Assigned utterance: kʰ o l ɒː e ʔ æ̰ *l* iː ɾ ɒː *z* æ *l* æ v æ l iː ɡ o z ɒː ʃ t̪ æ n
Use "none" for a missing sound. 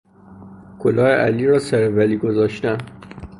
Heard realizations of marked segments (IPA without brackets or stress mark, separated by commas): l, s, ɾ